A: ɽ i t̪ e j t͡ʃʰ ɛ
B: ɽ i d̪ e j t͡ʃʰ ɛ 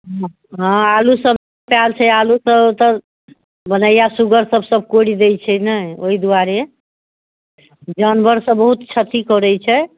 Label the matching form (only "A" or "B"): B